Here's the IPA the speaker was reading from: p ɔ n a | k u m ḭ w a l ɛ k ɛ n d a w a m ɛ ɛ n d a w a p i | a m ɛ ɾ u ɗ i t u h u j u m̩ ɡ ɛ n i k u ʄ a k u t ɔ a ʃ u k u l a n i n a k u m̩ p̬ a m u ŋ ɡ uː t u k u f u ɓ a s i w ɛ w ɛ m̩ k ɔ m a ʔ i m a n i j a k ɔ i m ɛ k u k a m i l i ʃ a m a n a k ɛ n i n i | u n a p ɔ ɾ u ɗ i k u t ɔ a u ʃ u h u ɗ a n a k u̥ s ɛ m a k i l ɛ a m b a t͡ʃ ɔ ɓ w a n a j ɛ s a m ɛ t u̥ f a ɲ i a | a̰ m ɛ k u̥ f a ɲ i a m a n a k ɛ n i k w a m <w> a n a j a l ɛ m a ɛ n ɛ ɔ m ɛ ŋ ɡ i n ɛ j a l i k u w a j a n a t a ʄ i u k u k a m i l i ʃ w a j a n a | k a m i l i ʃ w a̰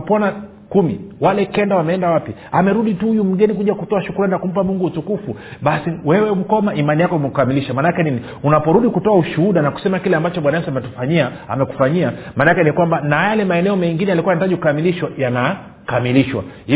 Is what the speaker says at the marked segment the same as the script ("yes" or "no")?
no